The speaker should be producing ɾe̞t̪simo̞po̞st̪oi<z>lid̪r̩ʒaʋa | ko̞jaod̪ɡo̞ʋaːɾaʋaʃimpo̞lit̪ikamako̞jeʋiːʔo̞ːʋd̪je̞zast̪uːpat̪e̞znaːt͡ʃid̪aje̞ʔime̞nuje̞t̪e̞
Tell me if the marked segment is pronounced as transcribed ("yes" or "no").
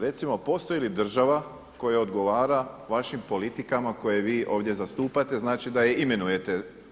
no